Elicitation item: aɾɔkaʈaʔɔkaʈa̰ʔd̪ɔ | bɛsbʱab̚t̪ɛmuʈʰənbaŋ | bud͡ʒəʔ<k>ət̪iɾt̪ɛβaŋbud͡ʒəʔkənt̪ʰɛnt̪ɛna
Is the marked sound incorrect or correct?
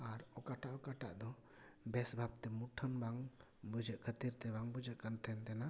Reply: incorrect